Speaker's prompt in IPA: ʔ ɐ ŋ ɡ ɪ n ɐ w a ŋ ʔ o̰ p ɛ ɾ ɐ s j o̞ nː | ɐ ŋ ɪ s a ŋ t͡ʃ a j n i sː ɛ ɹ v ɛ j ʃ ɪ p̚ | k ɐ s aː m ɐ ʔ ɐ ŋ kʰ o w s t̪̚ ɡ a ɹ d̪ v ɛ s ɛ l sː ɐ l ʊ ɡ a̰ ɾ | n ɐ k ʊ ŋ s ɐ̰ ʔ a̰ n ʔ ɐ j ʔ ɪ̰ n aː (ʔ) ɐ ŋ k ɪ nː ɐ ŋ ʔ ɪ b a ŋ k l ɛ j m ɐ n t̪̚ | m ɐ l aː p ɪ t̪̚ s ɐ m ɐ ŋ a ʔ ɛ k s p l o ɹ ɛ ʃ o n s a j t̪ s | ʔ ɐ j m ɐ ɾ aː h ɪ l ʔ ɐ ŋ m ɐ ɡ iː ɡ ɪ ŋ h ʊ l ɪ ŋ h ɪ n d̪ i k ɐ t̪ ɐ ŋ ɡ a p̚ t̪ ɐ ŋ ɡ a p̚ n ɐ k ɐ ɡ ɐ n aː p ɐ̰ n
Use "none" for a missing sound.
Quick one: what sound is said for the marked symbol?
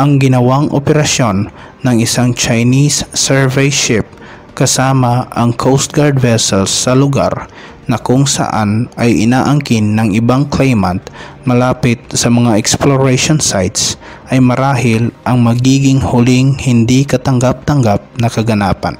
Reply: ʔ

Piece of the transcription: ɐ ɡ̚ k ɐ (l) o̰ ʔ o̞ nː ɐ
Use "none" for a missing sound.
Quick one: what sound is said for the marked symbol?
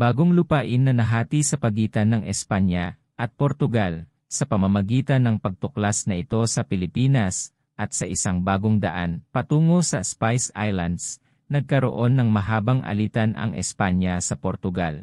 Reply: ɾ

